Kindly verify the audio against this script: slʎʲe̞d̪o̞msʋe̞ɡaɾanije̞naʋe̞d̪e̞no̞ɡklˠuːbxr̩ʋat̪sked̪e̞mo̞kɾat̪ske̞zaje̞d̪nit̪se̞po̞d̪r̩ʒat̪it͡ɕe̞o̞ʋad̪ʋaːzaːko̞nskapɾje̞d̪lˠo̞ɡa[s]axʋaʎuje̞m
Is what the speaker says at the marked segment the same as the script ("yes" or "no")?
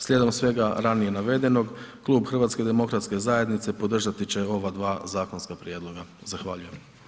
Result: no